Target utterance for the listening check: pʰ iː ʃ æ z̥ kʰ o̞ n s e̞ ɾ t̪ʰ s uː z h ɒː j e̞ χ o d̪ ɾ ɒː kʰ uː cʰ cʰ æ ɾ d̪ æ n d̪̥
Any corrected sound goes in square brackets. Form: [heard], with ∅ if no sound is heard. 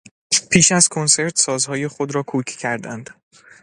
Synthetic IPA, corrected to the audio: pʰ iː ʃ æ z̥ kʰ o̞ n s e̞ ɾ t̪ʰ s [ɒː] z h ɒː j e̞ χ o d̪ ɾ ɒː kʰ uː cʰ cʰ æ ɾ d̪ æ n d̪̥